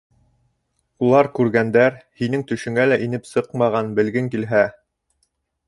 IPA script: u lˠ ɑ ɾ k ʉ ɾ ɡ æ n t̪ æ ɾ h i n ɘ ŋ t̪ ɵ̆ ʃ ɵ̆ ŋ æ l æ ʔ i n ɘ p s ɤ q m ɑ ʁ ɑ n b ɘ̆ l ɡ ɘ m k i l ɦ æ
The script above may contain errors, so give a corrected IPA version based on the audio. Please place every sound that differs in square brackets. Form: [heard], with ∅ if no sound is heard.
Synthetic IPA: u lˠ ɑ ɾ k ʉ ɾ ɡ æ n [d̪] æ ɾ h i n ɘ ŋ t̪ ɵ̆ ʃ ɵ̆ ŋ æ l æ ʔ i n ɘ p s ɤ q m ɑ ʁ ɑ n b ɘ̆ l ɡ ɘ [ŋ] k i l ɦ æ